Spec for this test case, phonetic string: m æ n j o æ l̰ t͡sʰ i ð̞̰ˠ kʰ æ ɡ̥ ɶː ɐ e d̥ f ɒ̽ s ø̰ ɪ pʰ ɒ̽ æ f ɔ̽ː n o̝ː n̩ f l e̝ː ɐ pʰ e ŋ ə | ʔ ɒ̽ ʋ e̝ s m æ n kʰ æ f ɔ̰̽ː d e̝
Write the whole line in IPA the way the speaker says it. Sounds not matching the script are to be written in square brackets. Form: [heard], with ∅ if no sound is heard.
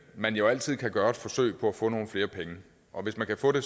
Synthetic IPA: m æ n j o æ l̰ t͡sʰ i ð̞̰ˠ kʰ æ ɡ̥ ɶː ɐ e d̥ f ɒ̽ s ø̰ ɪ pʰ ɒ̽ æ f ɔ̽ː n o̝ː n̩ f l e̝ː ɐ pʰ e ŋ ə | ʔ ɒ̽ ʋ e̝ s m æ n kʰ æ f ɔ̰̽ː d e̝

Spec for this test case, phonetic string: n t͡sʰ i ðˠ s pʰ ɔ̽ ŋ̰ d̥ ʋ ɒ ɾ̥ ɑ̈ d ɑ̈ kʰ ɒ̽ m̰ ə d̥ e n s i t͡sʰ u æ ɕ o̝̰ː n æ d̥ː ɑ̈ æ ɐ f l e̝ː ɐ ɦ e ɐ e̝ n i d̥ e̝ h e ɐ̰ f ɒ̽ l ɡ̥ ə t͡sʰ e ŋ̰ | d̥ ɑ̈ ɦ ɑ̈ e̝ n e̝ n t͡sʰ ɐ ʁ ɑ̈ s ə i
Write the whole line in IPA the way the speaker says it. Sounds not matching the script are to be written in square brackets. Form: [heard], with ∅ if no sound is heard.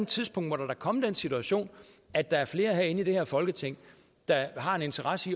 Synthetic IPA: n t͡sʰ i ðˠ s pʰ ɔ̽ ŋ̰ d̥ ʋ ɒ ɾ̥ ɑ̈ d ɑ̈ kʰ ɒ̽ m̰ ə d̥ e n s i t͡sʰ u æ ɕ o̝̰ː n æ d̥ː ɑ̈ æ ɐ f l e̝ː ɐ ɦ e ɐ e̝ n i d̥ e̝ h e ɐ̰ f ɒ̽ l ɡ̥ ə t͡sʰ e ŋ̰ | d̥ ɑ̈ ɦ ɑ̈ e̝ n e̝ n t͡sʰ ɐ ʁ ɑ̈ s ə i

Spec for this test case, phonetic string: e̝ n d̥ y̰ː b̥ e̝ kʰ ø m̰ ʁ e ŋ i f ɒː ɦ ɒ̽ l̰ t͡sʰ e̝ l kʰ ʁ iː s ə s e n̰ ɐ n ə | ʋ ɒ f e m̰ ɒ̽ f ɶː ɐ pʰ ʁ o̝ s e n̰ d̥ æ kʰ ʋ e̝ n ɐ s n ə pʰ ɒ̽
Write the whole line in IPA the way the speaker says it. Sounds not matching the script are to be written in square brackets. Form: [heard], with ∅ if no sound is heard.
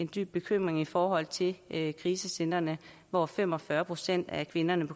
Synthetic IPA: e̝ n d̥ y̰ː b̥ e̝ kʰ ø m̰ ʁ e ŋ i f ɒː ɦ ɒ̽ l̰ t͡sʰ e̝ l kʰ ʁ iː s ə s e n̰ ɐ n ə | ʋ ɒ f e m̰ ɒ̽ f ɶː ɐ pʰ ʁ o̝ s e n̰ d̥ æ kʰ ʋ e̝ n ɐ [∅] n ə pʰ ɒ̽

